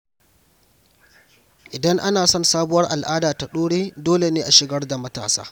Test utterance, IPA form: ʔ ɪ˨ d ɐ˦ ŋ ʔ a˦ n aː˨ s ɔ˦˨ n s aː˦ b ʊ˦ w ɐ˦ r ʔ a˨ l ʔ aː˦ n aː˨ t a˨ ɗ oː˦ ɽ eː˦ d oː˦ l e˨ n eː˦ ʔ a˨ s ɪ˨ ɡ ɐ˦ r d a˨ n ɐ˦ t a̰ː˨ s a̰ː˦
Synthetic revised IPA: ʔ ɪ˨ d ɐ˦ ŋ ʔ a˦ n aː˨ s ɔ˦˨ n s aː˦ b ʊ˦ w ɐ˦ r ʔ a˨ l ʔ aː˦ d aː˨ t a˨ ɗ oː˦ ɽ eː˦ d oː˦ l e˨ n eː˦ ʔ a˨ ʃ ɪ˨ ɡ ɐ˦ r d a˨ m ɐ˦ t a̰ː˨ s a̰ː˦